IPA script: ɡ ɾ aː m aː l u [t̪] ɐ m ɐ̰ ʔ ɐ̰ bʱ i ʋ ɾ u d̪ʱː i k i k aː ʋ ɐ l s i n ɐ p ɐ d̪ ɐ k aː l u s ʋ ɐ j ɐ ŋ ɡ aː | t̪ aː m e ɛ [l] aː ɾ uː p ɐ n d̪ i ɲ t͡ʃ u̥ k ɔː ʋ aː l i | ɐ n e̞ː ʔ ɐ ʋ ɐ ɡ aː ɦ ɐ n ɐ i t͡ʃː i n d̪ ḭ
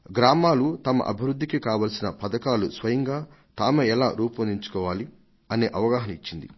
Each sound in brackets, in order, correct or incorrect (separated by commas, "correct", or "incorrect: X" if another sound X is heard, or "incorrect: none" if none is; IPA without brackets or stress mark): correct, correct